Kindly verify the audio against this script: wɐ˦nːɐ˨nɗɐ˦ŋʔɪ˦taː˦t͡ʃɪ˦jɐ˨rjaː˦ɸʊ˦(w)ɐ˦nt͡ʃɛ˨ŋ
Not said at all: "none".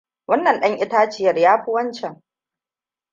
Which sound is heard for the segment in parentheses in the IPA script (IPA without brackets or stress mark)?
w